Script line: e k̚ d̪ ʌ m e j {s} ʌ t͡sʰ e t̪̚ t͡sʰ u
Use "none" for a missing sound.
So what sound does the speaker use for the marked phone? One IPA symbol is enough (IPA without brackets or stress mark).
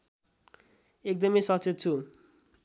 s